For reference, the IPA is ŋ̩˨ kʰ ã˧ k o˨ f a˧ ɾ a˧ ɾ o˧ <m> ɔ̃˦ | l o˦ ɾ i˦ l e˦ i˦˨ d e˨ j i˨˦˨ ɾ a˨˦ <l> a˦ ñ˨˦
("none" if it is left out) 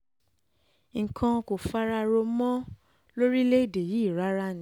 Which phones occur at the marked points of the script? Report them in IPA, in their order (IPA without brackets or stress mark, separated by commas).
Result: m, ɾ